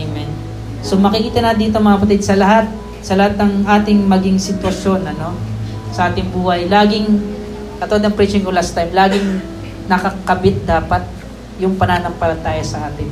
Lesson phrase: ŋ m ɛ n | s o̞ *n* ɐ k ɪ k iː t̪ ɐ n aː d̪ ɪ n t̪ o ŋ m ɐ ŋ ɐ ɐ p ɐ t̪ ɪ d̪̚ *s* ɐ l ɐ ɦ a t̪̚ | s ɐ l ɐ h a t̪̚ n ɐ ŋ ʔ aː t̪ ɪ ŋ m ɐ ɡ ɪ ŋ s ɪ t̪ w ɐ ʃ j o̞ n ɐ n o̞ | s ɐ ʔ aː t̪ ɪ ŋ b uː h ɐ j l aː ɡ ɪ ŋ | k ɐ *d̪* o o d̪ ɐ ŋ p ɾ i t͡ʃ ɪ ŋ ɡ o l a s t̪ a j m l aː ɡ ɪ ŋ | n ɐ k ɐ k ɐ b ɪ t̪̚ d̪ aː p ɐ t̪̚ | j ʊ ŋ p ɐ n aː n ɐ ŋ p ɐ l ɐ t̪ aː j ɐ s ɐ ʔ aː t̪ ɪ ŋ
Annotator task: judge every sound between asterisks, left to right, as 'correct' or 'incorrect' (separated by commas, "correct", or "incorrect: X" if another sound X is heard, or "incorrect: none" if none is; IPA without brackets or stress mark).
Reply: incorrect: m, correct, incorrect: t̪